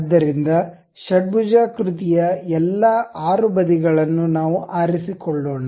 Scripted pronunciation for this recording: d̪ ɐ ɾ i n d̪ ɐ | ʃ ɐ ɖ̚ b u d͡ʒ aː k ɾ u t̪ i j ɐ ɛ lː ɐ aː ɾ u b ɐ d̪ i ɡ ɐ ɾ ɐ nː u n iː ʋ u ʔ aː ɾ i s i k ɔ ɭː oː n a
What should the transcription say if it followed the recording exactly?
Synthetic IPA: d̪ː ɐ ɾ i n d̪ ɐ | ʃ ɐ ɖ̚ b u d͡ʒ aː k ɾ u t̪ i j ɐ ɛ lː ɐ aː ɾ u b ɐ d̪ i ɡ ɐ ɭ ɐ nː u n aː ʋ u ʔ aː ɾ i s i k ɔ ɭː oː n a